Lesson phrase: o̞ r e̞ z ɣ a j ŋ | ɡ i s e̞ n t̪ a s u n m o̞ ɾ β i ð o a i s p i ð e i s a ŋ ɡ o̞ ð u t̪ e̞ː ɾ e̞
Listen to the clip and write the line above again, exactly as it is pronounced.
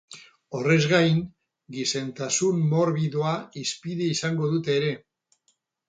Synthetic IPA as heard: o̞ r e̞ z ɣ a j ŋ | ɡ i s e̞ n t̪ a s u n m o̞ ɾ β i ð o a i s p i ð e i s a ŋ ɡ o̞ ð u t̪ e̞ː ɾ e̞

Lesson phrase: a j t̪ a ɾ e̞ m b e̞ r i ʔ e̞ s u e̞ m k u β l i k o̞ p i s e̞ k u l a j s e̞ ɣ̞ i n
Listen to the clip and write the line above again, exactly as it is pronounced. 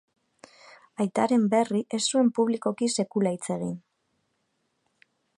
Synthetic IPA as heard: a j t̪ a ɾ e̞ m b e̞ r i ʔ e̞ s u e̞ m p u β l i k o̞ k i s e̞ k u l a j t͡s e̞ ɣ̞ i n

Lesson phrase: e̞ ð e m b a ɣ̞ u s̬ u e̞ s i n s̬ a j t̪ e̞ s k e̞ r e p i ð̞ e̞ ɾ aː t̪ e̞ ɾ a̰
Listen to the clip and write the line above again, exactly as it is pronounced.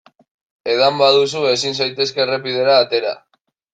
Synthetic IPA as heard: e̞ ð a m b a ð̞ u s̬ u e̞ s i n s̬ a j t̪ e̞ s k e̞ r e p i ð̞ e̞ ɾ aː t̪ e̞ ɾ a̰

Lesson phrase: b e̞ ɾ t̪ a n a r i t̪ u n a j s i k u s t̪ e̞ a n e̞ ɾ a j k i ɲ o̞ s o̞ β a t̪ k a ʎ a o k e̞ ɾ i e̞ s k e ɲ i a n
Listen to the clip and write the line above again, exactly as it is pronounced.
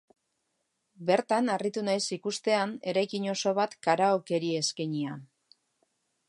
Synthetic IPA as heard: b e̞ ɾ t̪ a n a r i t̪ u n a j s i k u s t̪ e̞ a n e̞ ɾ a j k i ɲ o̞ s o̞ β a t̪ k a ɾ a o k e̞ ɾ i e̞ s k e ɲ i a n

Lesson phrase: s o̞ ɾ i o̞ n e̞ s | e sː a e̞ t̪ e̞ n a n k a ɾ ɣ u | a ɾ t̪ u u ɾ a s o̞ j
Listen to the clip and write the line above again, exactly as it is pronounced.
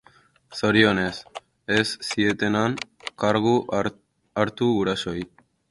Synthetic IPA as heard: s o̞ ɾ i o̞ n e̞ s | e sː i e̞ t̪ e̞ n a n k a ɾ ɣ u | a ɾ t̪ u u ɾ a s o̞ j

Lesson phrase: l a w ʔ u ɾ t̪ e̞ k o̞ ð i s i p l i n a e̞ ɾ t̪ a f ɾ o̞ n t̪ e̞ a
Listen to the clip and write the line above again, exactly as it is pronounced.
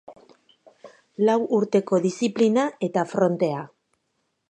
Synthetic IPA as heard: l a w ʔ u ɾ t̪ e̞ k o̞ ð i s i p l i n a e̞ t̪ a f ɾ o̞ n t̪ e̞ a

